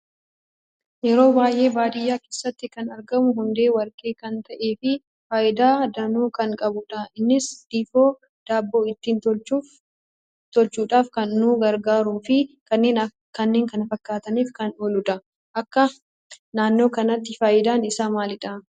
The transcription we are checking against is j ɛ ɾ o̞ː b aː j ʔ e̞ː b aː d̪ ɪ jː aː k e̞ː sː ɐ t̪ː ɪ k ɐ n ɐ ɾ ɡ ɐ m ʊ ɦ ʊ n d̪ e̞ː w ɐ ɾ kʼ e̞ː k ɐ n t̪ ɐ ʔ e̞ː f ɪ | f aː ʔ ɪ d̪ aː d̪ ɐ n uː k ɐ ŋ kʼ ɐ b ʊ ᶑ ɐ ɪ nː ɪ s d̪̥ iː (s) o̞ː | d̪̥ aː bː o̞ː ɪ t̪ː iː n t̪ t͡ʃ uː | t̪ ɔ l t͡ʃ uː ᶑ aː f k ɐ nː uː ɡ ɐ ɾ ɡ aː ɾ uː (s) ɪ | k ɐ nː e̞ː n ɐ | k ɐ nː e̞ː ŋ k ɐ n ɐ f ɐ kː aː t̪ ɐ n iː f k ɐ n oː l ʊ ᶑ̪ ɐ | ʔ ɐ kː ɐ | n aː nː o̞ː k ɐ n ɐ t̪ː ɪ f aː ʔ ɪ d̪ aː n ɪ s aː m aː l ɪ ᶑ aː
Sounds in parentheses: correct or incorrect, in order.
incorrect, incorrect

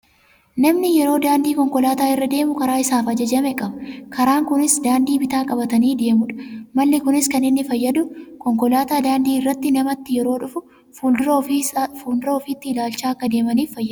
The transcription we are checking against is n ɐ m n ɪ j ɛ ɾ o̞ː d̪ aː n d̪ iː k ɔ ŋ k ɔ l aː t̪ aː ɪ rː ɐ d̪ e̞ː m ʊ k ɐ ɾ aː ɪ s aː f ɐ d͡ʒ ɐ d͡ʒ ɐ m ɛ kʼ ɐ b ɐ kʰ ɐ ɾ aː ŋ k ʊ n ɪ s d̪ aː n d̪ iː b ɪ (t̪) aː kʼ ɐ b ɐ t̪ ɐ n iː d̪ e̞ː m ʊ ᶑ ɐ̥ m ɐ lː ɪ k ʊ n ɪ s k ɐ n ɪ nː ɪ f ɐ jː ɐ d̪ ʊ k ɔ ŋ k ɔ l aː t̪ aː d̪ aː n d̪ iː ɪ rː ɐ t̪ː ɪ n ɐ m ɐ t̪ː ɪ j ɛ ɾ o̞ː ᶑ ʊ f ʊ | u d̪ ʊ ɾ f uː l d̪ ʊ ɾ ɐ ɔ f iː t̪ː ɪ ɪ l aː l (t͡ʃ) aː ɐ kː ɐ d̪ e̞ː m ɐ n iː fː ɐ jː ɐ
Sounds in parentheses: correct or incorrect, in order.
correct, correct

